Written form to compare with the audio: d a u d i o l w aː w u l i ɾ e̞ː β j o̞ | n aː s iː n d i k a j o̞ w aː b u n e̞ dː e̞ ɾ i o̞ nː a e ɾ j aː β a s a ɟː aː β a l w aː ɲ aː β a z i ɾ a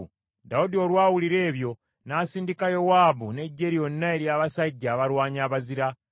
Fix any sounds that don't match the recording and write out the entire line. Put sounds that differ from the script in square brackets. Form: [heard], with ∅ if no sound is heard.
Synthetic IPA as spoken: d a u d i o l w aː w u l i ɾ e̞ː β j o̞ | n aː s iː n d i k a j o̞ w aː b u n e̞ [ɟː] e̞ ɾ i o̞ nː a e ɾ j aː β a s a ɟː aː β a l w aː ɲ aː β a z i ɾ a